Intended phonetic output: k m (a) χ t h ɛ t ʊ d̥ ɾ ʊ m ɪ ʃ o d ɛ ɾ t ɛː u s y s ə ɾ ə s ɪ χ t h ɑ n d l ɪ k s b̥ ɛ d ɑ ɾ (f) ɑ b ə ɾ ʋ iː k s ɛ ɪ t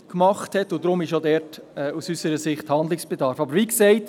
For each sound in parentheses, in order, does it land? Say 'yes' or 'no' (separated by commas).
no, yes